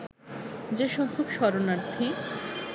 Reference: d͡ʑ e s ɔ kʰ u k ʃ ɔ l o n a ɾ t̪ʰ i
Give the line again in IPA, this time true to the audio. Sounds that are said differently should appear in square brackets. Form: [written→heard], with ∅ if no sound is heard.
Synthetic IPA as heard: d͡ʑ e [s→ʃ] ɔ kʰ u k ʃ ɔ [l→ɾ] o n a ɾ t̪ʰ i